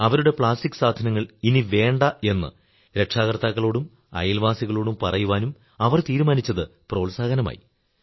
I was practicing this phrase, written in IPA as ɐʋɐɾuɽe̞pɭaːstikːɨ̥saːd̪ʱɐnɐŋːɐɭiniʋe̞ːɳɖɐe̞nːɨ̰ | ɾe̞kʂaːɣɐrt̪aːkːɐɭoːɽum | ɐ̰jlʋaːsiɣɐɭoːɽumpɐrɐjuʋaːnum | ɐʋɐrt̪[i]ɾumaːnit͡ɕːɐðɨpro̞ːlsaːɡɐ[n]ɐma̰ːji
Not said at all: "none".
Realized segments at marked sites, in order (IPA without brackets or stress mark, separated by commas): iː, n